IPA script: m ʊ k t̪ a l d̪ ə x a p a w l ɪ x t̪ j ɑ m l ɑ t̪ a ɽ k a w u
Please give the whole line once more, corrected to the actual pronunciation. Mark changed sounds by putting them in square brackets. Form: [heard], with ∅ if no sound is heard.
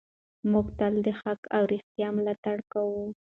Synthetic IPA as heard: m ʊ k t̪ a l d̪ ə x a [k] a w [ɾ] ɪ x t̪ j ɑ m l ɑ t̪ a ɽ k a w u